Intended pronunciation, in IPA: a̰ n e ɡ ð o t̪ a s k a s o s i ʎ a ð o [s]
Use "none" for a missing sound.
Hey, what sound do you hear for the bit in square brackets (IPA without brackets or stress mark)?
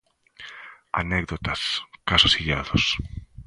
s